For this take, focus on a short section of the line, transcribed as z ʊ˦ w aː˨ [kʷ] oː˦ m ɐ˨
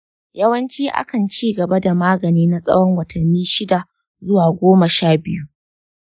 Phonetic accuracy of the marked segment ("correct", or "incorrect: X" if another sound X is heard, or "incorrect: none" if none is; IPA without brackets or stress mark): incorrect: ɡʷ